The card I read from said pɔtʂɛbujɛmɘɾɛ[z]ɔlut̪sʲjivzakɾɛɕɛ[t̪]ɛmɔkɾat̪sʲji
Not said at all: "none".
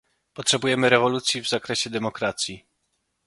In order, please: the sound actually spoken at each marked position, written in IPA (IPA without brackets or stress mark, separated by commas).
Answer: v, d̪